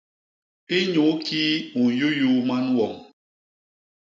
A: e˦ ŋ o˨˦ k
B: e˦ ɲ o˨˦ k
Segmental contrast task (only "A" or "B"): B